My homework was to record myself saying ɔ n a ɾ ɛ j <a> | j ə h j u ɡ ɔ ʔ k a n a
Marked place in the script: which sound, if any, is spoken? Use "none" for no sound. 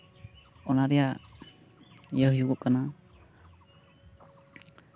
a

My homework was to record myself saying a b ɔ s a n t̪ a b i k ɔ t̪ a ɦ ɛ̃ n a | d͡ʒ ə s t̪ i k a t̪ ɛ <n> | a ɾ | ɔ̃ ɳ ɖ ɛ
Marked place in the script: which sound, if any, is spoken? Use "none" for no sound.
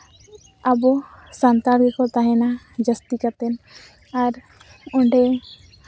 n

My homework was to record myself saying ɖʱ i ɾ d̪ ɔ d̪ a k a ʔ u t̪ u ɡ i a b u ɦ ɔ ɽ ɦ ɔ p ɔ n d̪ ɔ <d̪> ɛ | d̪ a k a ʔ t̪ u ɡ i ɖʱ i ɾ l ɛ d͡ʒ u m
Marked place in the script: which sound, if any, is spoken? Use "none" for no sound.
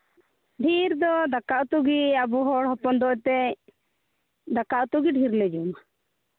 t̪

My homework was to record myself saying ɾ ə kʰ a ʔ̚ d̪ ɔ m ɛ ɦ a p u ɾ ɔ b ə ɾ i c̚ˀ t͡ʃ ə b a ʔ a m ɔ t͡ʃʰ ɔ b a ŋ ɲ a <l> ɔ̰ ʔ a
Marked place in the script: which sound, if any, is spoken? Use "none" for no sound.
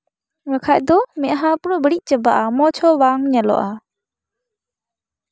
l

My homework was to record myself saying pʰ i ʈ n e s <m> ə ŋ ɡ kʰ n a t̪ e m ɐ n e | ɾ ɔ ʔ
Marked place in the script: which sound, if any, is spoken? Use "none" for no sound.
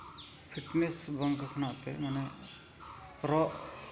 b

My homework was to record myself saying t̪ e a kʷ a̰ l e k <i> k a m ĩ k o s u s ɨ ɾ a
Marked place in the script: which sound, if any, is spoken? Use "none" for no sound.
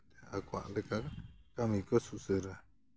a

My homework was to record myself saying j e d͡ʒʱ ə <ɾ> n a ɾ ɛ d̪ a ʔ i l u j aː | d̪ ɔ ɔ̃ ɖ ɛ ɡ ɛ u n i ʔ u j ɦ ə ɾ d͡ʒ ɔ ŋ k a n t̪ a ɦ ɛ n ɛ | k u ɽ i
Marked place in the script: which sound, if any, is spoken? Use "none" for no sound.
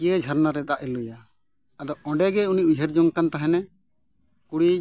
ɾ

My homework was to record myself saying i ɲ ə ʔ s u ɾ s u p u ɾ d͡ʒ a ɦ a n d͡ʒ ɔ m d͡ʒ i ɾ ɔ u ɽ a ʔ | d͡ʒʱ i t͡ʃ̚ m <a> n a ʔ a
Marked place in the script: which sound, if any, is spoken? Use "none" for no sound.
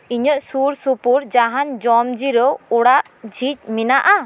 i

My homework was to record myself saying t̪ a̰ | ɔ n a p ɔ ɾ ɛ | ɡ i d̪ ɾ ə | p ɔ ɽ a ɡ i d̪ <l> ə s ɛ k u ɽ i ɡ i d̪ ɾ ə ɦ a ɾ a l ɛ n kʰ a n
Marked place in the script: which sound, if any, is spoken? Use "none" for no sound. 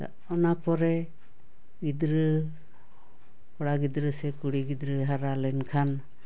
ɾ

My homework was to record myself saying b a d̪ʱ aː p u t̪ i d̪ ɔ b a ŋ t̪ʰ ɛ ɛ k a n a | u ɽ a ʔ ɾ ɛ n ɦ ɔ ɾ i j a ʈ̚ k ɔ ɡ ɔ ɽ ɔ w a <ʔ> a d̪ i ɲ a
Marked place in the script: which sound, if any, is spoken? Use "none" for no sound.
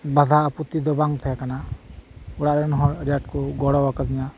k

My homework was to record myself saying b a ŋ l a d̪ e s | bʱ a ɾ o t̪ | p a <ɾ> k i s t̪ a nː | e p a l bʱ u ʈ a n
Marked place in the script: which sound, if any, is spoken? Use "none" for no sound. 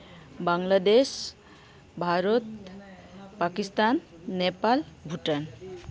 none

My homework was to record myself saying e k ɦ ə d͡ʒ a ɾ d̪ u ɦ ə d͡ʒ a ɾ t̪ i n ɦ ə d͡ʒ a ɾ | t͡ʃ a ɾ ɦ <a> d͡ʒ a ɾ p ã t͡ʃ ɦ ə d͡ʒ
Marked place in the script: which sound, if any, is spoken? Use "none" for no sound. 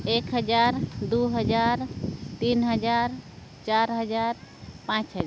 ə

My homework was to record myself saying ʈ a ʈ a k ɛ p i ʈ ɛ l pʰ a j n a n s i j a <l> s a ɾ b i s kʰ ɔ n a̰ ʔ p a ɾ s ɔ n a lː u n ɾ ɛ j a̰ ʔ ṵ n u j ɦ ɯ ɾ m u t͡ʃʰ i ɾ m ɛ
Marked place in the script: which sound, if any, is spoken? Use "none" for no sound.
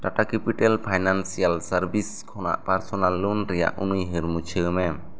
l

